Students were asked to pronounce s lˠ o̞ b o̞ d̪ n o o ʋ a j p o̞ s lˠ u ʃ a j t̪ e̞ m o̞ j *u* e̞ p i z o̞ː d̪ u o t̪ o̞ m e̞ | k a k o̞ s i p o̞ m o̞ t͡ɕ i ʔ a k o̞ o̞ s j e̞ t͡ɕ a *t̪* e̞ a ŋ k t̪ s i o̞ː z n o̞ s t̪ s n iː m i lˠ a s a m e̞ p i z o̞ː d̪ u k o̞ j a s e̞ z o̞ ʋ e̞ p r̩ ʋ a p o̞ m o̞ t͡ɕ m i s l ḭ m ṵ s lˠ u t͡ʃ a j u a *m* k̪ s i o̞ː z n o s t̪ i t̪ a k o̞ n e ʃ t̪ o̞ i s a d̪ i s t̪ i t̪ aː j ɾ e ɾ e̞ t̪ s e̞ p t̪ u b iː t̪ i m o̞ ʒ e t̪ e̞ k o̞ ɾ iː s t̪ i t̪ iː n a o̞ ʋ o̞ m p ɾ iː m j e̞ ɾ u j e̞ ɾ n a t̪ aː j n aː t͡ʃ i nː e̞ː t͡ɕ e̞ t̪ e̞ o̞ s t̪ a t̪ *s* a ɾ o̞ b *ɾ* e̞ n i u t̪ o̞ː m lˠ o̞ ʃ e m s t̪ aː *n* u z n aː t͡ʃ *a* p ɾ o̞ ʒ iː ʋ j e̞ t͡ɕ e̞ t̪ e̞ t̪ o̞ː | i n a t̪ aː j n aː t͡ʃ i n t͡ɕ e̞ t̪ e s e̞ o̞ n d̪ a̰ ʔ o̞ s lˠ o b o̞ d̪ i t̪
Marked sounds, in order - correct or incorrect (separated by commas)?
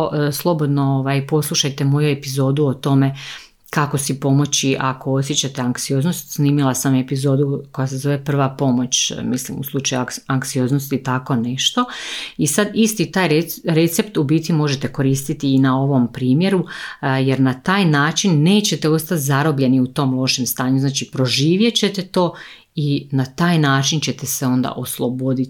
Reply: correct, correct, incorrect, incorrect, incorrect, incorrect, incorrect